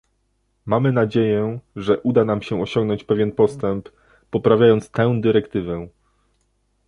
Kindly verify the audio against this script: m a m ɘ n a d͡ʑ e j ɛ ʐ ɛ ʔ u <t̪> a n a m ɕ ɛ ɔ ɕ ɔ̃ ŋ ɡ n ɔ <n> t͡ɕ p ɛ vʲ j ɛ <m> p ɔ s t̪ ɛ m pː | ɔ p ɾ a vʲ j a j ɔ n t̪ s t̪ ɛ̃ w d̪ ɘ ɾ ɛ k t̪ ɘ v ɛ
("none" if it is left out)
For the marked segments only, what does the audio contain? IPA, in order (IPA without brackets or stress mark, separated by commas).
d̪, ɲ, n